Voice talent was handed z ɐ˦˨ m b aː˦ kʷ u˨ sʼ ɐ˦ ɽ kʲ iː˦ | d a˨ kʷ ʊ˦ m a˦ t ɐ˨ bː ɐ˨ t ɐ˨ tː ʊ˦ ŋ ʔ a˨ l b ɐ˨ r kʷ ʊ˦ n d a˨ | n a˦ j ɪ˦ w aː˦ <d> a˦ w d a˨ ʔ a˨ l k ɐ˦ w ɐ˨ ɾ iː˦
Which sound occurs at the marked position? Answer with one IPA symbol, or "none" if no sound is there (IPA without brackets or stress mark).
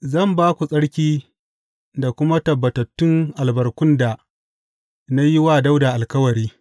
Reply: d